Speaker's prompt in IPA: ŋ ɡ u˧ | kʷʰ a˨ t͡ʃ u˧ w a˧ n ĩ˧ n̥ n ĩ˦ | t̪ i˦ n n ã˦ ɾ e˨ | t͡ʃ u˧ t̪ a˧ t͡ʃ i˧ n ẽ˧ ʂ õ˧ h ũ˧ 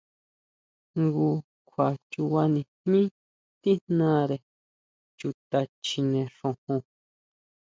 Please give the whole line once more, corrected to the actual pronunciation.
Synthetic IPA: ŋ ɡ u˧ | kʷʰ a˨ t͡ʃ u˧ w a˧ n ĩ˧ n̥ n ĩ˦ | t̪ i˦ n n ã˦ ɾ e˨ | t͡ʃ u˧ t̪ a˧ t͡ʃ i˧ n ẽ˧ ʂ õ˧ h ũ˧